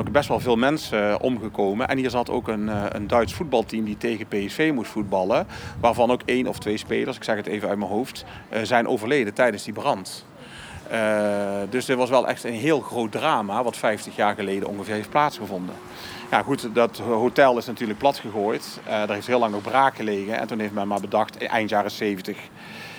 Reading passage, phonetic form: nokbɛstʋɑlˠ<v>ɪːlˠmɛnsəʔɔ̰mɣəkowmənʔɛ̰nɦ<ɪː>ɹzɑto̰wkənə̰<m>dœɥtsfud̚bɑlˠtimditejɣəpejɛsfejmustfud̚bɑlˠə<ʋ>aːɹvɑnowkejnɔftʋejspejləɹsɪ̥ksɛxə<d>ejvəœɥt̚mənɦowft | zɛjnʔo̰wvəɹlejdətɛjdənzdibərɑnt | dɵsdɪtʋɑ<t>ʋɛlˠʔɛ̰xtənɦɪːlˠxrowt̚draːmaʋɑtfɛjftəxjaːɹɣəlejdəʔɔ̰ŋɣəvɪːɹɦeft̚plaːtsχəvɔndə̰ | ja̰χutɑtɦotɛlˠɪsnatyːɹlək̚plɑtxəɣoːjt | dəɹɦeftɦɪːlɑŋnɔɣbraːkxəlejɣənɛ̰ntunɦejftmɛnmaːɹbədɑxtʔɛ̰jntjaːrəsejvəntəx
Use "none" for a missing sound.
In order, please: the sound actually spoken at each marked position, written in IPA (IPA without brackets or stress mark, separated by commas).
v, iː, n, ʋ, t, s